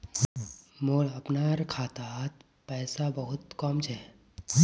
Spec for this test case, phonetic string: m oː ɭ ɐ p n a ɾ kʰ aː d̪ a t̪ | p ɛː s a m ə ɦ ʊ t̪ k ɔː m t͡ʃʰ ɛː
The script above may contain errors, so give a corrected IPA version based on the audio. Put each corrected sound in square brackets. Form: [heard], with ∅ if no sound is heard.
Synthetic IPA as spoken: m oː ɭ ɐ p n a ɾ kʰ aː [t̪] a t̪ | p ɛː s a [b] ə ɦ ʊ t̪ k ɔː m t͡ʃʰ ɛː